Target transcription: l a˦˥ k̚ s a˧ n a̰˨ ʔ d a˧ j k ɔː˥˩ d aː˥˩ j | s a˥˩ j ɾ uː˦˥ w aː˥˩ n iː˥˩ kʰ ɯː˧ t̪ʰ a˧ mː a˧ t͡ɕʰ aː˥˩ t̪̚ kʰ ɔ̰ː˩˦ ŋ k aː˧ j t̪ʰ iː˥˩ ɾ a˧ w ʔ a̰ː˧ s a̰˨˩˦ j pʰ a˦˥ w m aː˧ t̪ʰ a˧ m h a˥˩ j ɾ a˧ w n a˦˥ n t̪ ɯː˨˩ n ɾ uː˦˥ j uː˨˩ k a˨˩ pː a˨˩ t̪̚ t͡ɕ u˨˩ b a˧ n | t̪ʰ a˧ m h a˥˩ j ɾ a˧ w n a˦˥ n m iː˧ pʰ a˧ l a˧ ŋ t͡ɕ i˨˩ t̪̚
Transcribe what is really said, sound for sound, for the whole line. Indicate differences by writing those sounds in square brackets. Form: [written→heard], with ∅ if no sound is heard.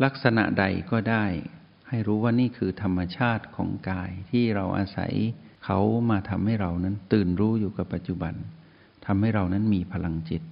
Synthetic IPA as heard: l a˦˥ k̚ s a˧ n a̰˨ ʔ d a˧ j k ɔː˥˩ d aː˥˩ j | [s→h] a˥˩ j ɾ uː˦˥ w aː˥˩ n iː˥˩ kʰ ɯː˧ t̪ʰ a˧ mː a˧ t͡ɕʰ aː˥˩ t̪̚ kʰ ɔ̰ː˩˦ ŋ k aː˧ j t̪ʰ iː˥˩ ɾ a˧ w ʔ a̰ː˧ s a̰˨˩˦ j [pʰ→kʰ] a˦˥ w m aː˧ t̪ʰ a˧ m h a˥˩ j ɾ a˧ w n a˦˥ n t̪ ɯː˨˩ n ɾ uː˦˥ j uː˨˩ k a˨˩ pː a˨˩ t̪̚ t͡ɕ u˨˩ b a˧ n | t̪ʰ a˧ m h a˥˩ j ɾ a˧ w n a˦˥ n m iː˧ pʰ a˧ l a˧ ŋ t͡ɕ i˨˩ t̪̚